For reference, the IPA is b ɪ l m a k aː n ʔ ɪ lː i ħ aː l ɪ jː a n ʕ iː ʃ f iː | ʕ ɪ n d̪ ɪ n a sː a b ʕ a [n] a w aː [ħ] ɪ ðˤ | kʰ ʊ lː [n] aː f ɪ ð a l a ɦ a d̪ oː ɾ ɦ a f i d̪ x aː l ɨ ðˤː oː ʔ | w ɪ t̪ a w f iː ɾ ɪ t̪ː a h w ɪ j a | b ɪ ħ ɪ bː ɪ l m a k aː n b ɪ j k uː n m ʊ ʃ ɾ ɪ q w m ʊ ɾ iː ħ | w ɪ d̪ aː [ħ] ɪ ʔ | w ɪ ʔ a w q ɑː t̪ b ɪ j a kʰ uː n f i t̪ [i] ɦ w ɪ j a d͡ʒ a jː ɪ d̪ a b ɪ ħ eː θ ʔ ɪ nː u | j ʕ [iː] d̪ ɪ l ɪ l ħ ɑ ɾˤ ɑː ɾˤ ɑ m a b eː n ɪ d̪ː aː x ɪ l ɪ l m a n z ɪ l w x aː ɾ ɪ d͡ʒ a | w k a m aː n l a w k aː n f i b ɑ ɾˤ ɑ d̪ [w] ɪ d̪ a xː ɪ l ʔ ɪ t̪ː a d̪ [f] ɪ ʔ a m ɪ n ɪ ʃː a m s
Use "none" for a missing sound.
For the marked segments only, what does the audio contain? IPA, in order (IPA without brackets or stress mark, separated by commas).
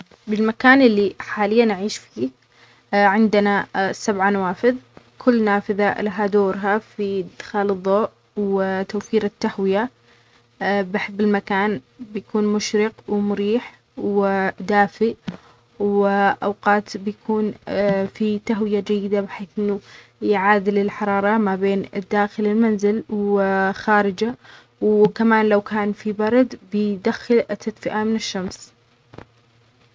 n, f, n, f, a, aː, b, f